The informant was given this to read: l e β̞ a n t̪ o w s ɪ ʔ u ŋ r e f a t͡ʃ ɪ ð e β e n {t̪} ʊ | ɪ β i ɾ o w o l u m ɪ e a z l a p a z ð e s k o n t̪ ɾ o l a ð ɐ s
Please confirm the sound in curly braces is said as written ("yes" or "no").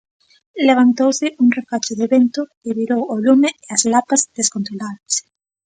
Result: yes